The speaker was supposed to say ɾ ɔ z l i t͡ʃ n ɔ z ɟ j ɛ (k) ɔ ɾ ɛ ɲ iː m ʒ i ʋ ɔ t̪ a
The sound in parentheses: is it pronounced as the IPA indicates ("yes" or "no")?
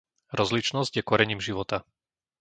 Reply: yes